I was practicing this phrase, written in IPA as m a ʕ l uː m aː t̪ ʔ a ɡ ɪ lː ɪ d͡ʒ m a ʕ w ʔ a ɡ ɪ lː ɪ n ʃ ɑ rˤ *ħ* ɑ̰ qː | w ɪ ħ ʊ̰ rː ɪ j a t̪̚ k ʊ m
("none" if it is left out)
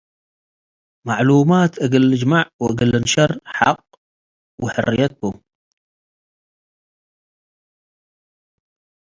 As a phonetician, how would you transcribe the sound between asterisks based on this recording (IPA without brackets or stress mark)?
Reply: ħ